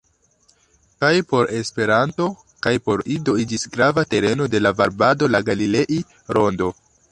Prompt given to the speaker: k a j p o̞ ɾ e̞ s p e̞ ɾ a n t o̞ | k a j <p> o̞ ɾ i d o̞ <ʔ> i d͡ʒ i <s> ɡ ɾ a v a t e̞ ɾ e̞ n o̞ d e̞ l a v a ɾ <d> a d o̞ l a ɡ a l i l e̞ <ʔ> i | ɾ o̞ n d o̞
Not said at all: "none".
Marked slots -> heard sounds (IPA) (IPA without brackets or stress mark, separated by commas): p, none, s, b, ʔ